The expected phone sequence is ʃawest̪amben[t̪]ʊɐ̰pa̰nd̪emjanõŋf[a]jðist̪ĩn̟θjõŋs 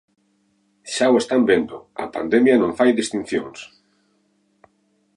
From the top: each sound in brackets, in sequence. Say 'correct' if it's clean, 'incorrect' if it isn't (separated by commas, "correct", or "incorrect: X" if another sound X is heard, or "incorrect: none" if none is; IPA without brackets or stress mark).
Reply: incorrect: d̪, correct